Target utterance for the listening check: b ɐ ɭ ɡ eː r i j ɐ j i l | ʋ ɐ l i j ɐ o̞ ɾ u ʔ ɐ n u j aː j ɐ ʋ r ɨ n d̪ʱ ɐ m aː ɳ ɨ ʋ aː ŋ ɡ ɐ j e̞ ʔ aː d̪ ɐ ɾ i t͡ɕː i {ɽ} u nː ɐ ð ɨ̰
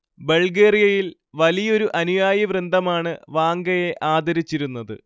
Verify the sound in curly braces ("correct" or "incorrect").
incorrect